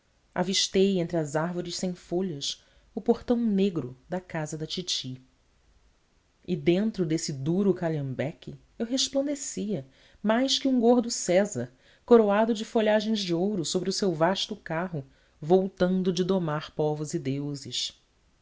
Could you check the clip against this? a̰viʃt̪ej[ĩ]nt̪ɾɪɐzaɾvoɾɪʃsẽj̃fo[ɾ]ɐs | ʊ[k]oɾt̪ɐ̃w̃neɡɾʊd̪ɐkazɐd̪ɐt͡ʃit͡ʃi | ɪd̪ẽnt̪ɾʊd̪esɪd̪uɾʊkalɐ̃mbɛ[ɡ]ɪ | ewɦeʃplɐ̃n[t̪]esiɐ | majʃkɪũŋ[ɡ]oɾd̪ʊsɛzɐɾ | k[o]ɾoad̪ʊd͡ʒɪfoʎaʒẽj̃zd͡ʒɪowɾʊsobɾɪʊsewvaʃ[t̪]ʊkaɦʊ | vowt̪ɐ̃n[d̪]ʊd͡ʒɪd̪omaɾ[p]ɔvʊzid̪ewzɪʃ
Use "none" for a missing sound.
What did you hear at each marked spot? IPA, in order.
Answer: ẽ, ʎ, p, k, d̪, ɡ, o, t̪, d̪, p

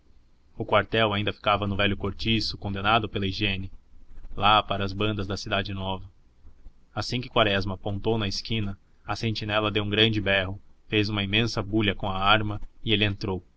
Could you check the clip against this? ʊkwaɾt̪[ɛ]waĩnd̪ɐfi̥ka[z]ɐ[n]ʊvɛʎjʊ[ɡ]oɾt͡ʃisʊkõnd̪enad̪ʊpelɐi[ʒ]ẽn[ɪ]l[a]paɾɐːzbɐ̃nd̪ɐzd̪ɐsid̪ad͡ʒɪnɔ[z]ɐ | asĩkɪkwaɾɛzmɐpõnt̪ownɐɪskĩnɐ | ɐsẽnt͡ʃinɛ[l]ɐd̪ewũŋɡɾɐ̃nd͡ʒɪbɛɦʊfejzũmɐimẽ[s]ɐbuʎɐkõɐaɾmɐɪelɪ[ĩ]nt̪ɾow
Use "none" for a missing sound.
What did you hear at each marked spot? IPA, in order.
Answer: ɛ, v, n, k, ʒ, ɪ, a, v, l, s, ẽ

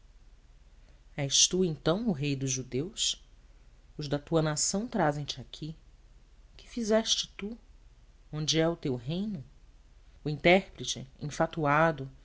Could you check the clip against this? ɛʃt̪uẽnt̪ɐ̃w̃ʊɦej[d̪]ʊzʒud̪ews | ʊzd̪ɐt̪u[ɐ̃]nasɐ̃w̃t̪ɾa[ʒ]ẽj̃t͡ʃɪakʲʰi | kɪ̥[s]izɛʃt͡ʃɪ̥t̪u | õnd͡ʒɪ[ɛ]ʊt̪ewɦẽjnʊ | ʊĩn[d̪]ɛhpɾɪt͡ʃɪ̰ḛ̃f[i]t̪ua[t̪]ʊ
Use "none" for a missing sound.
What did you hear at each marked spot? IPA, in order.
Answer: d̪, ɐ, z, f, ɛ, t̪, a, d̪

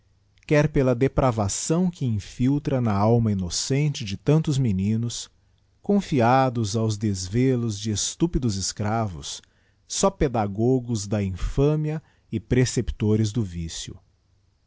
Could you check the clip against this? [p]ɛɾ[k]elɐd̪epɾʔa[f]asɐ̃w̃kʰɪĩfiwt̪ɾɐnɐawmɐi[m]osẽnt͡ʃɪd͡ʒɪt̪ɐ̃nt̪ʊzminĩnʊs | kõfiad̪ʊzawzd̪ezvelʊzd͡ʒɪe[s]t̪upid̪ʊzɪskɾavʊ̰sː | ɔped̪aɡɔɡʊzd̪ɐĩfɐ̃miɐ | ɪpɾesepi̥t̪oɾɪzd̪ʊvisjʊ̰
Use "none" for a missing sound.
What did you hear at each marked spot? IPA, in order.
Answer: k, p, v, n, s

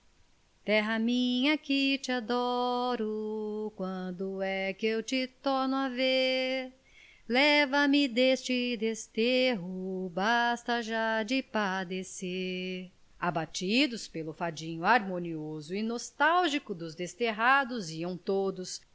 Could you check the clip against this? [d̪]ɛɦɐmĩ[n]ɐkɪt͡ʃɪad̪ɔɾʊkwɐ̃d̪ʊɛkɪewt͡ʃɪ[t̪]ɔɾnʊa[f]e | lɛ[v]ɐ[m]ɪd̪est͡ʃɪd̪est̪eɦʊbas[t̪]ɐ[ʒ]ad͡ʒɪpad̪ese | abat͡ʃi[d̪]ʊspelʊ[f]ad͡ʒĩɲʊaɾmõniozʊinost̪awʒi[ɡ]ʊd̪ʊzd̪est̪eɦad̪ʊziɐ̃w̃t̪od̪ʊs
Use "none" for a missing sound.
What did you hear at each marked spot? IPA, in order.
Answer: t̪, ɲ, t̪, v, v, m, t̪, ʒ, d̪, f, k

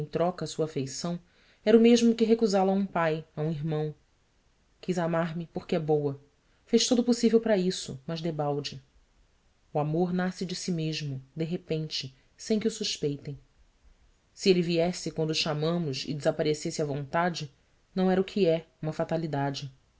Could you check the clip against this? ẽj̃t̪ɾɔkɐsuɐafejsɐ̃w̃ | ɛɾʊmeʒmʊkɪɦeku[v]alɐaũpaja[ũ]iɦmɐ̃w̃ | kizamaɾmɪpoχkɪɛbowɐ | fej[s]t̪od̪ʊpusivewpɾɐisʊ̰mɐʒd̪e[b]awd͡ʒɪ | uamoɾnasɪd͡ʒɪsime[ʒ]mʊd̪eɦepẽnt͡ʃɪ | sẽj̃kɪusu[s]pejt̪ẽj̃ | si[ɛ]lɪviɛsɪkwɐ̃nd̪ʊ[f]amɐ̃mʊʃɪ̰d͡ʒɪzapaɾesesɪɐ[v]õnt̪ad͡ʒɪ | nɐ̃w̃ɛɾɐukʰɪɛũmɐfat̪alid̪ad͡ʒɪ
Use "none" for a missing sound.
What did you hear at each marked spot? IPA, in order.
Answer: z, ũ, ʃ, b, ʒ, ʃ, e, ʃ, v

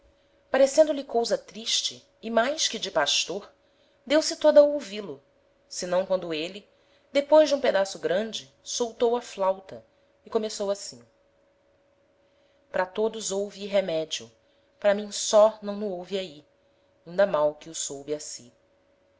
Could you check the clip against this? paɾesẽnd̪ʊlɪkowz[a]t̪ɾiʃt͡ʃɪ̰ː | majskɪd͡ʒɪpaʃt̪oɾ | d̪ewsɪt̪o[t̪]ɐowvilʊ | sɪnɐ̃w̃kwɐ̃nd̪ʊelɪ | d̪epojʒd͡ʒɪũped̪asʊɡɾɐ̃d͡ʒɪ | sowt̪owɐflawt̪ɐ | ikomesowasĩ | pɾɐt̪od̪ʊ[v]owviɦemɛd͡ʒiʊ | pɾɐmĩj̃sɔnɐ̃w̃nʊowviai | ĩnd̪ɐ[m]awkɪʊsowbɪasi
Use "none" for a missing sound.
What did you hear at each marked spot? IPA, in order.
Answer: ɐ, d̪, z, m

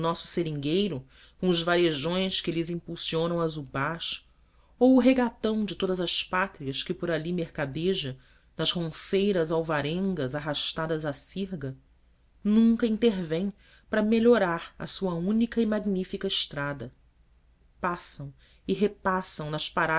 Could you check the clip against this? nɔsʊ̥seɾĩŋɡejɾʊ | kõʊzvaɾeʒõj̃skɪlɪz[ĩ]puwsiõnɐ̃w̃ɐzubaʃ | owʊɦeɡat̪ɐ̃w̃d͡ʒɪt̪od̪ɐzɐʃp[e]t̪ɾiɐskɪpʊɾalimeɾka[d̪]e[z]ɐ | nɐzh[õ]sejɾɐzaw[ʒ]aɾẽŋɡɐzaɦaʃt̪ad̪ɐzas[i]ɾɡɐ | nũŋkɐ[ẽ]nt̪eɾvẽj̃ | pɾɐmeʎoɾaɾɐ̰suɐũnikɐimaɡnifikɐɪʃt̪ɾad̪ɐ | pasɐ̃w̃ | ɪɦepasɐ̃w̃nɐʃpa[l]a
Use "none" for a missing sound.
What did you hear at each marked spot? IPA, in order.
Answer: ĩ, a, d̪, ʒ, õ, v, i, ĩ, ɾ

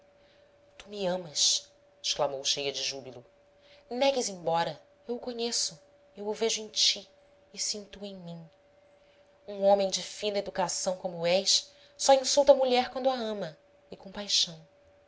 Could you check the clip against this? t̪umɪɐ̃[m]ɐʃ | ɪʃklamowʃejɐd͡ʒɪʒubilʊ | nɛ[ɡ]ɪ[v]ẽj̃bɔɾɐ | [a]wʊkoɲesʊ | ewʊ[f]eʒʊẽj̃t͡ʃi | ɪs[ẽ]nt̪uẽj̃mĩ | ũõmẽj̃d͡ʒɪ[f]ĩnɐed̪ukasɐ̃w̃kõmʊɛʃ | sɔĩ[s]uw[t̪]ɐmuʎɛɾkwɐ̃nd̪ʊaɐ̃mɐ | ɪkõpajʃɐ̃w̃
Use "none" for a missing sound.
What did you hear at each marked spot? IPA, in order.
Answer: m, ɡ, z, e, v, ĩ, f, s, t̪

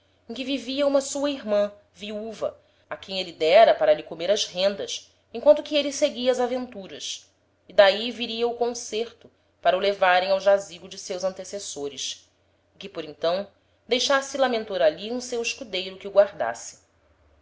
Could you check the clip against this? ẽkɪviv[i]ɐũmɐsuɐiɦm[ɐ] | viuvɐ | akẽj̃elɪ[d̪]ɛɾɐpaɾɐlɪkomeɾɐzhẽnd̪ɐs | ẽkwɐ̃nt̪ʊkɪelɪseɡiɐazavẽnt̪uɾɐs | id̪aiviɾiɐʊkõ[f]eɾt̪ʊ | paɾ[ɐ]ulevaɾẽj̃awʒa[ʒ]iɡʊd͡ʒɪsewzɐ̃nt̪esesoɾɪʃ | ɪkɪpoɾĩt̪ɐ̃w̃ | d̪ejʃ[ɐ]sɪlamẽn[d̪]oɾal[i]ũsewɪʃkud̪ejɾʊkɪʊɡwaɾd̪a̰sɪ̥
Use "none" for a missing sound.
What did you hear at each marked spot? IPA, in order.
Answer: i, ɐ̃, d̪, s, ɐ, z, a, t̪, i

